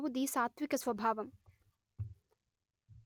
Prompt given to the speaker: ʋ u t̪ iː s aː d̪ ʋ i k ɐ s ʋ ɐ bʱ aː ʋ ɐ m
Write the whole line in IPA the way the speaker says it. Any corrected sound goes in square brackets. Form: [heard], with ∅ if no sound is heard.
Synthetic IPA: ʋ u [d̪] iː s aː [t̪] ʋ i k ɐ s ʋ ɐ bʱ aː ʋ ɐ m